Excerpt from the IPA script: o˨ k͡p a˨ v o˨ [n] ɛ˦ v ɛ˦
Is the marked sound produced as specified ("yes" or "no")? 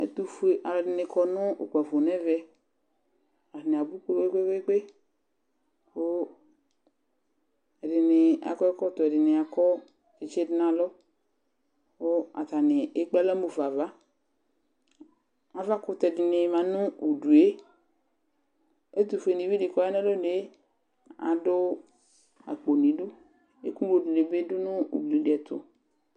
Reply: yes